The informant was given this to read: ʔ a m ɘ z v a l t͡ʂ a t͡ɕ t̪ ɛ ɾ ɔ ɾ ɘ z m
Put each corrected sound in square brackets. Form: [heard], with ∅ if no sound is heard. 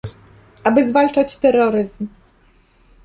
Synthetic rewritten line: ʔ a [b] ɘ z v a l t͡ʂ a t͡ɕ t̪ ɛ ɾ ɔ ɾ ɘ z m